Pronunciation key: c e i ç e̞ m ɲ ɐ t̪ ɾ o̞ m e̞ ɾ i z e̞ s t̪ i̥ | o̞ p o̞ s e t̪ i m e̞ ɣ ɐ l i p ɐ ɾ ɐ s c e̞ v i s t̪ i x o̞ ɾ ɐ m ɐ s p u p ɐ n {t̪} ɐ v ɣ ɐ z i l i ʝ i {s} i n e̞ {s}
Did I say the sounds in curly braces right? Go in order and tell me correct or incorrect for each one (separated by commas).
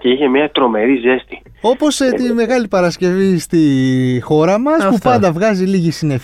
incorrect, correct, incorrect